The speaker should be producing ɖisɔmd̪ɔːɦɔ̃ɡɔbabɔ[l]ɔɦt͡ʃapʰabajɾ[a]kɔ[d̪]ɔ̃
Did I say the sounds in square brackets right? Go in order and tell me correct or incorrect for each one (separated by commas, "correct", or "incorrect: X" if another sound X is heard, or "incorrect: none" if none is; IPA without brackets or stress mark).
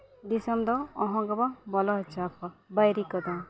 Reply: correct, incorrect: i, correct